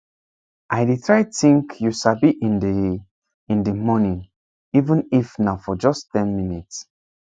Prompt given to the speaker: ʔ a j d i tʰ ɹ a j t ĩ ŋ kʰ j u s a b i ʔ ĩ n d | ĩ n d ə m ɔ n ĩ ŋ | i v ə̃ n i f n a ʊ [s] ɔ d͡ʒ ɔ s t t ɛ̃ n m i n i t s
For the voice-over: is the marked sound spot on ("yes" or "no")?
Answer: no